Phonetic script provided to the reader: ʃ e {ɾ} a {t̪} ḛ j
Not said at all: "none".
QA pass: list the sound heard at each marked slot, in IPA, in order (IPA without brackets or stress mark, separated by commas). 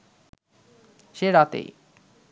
ɾ, t̪